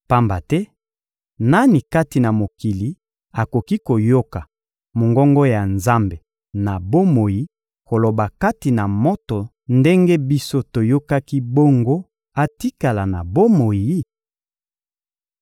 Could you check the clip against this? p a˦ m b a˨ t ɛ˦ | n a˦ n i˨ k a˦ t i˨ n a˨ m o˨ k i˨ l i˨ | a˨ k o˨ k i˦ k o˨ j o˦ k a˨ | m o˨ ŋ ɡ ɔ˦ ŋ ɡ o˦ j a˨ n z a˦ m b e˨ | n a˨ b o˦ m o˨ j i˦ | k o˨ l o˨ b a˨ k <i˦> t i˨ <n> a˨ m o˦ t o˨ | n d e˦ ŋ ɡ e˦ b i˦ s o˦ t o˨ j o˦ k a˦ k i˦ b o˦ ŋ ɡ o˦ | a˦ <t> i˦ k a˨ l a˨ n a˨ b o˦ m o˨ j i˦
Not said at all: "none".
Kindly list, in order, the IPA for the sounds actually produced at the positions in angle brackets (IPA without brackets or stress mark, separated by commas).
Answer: a˦, n, t